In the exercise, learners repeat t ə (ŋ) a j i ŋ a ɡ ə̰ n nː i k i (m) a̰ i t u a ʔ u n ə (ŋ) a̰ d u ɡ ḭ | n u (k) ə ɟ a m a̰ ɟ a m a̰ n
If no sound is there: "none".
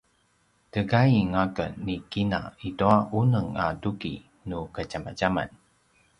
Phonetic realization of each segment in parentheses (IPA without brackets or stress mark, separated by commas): ɡ, n, ŋ, k